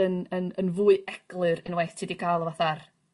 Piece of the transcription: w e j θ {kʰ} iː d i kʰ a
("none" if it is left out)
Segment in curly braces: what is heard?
tʰ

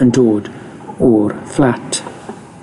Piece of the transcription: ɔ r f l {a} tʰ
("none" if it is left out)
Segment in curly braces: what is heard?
a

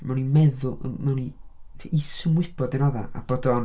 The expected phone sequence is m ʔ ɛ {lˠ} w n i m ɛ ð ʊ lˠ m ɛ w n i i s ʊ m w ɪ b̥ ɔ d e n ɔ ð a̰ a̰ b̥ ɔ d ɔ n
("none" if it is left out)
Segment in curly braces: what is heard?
none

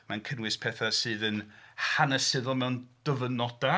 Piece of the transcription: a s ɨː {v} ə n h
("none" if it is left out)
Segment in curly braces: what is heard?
ð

